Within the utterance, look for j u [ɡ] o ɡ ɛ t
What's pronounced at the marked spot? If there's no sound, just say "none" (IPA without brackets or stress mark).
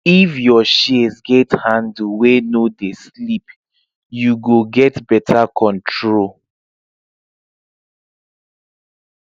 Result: ɡ